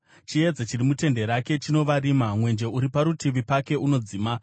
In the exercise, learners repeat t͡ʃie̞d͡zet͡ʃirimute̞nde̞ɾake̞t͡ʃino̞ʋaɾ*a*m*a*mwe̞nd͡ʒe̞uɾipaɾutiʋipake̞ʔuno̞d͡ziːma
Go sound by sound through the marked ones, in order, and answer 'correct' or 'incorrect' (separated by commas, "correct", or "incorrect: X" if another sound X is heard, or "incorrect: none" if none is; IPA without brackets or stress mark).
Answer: incorrect: i, correct